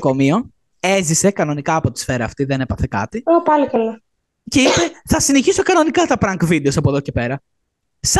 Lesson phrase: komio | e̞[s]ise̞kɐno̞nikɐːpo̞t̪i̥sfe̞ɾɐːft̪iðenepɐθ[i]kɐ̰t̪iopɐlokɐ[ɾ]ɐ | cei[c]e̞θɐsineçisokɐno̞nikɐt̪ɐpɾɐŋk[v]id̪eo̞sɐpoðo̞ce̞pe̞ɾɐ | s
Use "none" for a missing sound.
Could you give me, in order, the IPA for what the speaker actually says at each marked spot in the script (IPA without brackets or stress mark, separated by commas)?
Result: z, e, l, p, v